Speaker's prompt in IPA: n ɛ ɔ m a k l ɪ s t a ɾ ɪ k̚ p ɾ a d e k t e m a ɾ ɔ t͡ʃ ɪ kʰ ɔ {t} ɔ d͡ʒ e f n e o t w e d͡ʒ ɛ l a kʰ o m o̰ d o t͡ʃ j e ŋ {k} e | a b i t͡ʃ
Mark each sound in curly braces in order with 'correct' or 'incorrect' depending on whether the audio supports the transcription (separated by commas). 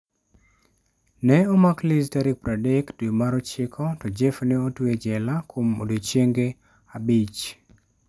correct, incorrect